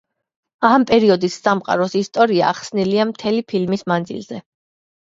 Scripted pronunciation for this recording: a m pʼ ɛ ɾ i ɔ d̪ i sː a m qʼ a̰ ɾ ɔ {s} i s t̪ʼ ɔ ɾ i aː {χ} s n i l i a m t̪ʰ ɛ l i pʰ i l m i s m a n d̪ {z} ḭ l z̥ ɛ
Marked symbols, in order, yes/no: yes, yes, yes

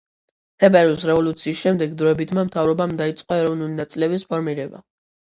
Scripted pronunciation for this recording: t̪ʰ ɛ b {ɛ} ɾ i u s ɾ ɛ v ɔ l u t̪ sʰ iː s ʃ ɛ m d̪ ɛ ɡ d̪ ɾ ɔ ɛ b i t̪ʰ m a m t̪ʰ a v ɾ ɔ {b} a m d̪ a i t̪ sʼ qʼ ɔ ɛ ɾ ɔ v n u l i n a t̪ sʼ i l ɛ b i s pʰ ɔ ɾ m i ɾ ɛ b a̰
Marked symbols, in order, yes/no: yes, yes

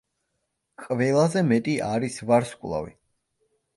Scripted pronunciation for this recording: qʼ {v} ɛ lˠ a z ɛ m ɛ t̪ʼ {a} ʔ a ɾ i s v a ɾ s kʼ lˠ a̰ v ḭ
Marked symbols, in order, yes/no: yes, no

